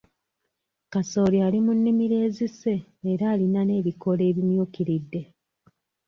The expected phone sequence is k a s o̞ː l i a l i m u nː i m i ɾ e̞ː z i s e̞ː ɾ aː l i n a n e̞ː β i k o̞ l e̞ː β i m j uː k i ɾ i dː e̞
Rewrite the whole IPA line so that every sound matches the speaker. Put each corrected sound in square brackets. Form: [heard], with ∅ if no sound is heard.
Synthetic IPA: k a s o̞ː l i a l i m u nː i m i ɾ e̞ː z i s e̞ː ɾ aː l i n a n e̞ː β i k o̞ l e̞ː β i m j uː k i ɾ i dː e̞